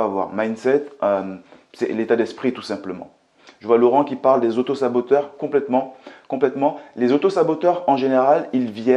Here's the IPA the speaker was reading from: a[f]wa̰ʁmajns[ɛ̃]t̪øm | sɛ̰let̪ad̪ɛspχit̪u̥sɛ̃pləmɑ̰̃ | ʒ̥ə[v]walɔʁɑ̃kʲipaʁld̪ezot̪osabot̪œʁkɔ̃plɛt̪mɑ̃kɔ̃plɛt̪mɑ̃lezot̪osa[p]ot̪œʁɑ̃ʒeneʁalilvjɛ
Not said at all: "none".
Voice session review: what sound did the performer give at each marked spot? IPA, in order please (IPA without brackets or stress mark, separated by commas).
v, ɛ, v, b